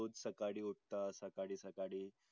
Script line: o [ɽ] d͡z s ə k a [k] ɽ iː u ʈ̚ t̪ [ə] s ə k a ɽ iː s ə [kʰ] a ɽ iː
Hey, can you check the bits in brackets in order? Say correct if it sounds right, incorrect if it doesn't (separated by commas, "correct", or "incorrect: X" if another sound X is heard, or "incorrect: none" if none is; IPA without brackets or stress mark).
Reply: incorrect: none, incorrect: none, incorrect: a, incorrect: k